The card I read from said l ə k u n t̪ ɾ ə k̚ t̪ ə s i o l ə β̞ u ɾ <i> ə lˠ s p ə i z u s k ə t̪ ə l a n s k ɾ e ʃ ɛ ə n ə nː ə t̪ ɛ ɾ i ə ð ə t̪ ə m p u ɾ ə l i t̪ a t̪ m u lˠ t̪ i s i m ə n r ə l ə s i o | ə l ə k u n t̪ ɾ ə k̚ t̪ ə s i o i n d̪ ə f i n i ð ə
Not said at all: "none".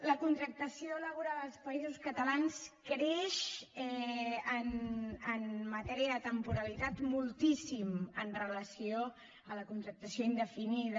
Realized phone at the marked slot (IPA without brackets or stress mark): a